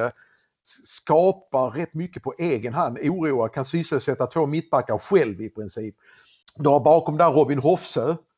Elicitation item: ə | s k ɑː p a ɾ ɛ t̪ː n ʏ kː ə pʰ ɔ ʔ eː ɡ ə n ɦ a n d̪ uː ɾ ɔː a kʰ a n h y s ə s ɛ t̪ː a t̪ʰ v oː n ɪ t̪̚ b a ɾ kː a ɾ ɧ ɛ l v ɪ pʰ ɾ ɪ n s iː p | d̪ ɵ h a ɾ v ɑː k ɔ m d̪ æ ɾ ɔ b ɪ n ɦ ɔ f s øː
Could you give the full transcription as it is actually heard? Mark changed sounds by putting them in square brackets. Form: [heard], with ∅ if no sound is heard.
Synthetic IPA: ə | s k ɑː p a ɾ ɛ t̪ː [m] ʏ kː ə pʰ ɔ ʔ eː ɡ ə n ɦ a n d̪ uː ɾ [uː] a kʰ a n [s] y s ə s ɛ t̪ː a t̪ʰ v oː [m] ɪ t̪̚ b a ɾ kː a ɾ ɧ ɛ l v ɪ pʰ ɾ ɪ n s iː p | d̪ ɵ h a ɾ [b] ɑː k ɔ m d̪ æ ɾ ɔ b ɪ n ɦ ɔ f s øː